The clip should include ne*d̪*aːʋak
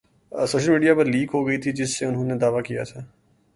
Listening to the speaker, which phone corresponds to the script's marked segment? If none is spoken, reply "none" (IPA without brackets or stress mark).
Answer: d̪